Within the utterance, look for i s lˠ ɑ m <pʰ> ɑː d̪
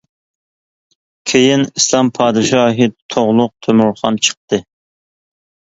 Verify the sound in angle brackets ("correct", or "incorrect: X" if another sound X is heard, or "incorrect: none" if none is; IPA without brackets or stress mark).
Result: correct